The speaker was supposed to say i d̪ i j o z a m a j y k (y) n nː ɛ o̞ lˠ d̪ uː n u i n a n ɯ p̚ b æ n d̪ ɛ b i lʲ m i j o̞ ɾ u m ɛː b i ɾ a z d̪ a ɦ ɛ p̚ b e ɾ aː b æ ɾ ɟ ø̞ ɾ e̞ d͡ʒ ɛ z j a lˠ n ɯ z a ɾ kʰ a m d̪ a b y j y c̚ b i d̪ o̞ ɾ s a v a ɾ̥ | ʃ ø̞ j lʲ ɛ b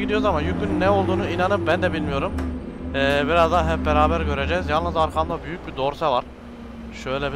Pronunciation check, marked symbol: correct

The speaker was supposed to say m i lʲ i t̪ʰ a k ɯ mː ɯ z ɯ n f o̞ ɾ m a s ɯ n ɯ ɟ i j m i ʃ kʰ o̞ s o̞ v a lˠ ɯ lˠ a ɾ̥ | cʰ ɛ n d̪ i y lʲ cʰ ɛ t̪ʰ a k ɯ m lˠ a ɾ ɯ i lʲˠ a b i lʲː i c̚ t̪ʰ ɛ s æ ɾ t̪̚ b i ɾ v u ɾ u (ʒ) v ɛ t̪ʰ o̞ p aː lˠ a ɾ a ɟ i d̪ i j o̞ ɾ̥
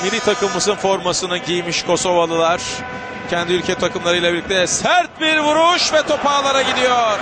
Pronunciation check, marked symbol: incorrect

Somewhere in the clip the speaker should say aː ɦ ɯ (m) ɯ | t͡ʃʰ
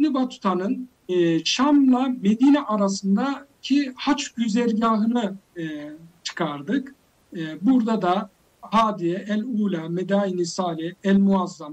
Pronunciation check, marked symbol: incorrect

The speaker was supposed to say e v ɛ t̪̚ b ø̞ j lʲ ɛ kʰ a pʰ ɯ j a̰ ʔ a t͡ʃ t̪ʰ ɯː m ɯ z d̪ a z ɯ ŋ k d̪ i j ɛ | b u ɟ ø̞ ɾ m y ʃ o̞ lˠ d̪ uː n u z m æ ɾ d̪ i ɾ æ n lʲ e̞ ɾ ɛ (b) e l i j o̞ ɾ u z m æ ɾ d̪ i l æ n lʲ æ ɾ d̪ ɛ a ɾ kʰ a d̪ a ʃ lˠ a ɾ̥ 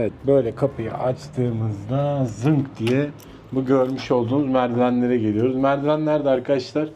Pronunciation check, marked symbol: incorrect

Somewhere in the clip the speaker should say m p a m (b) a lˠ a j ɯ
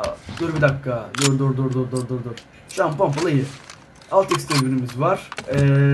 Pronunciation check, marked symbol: incorrect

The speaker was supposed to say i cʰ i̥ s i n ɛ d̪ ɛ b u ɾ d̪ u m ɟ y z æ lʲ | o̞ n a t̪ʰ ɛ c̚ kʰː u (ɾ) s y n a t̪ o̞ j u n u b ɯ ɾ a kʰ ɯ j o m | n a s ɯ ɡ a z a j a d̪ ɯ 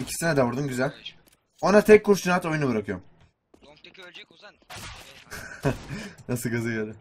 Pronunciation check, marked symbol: correct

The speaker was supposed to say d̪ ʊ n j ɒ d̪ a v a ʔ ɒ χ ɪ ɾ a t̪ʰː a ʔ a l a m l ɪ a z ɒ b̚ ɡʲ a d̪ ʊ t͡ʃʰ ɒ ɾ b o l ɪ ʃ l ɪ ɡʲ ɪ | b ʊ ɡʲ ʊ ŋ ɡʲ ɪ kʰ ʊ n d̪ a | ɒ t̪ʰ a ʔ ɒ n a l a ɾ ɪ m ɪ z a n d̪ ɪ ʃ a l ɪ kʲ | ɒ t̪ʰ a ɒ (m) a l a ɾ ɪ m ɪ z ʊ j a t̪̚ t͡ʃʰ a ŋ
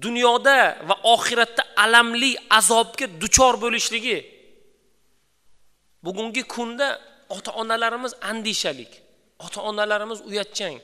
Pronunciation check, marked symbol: incorrect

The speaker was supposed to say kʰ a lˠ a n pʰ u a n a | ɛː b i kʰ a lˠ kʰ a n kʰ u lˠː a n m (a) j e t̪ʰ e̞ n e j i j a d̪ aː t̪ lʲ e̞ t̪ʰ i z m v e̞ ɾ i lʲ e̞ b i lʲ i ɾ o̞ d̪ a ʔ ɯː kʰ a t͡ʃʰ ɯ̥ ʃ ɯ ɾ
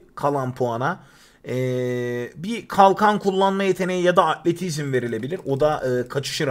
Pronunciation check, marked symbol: correct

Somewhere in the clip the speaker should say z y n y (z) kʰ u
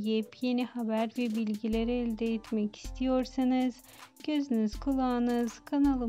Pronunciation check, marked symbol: correct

